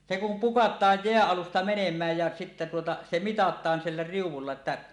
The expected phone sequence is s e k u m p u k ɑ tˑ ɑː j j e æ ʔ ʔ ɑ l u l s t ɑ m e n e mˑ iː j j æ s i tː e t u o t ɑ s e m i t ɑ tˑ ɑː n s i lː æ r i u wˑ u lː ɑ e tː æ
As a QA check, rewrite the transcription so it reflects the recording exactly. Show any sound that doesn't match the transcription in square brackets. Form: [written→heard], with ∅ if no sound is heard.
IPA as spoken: s e k u m p u k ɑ tˑ ɑː j j e æ ʔ ʔ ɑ l u [l→∅] s t ɑ m e n e mˑ [iː→æː] j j æ s i tː e t u o t ɑ s e m i t ɑ tˑ ɑː n s i lː æ r i u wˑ u lː ɑ e tː æ